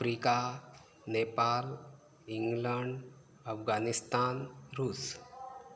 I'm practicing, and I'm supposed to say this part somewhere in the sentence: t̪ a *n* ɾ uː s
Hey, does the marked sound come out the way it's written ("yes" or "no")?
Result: yes